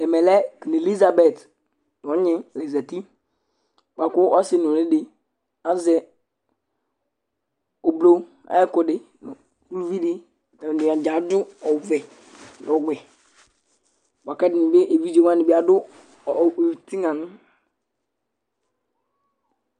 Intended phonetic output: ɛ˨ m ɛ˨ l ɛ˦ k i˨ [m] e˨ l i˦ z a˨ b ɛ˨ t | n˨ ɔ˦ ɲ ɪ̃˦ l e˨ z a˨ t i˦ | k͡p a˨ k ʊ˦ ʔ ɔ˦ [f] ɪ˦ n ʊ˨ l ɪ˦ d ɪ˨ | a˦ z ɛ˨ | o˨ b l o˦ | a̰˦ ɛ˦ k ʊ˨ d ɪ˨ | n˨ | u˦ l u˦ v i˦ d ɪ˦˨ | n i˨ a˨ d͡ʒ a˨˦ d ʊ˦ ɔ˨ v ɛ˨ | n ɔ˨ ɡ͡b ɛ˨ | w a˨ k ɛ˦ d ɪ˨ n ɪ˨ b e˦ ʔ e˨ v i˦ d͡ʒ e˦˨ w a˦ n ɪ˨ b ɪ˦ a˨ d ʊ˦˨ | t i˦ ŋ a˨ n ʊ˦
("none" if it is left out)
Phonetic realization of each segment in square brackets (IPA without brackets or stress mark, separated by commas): n, s